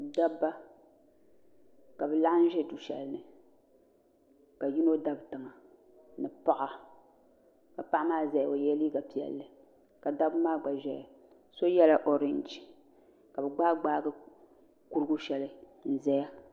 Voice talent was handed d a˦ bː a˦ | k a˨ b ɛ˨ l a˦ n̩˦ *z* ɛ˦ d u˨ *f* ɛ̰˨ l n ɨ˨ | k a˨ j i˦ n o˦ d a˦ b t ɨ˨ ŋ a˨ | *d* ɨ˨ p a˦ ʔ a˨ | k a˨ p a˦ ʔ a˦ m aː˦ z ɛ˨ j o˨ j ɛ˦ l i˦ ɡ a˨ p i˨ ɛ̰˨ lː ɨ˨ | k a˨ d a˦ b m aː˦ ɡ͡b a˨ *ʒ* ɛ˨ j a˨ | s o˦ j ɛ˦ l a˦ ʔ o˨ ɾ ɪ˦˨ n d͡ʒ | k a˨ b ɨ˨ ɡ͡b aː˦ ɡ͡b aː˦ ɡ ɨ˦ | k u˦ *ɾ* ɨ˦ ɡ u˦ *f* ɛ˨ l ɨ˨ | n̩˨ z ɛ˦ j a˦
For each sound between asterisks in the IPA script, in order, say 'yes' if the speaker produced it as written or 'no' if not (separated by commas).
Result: no, no, no, yes, yes, no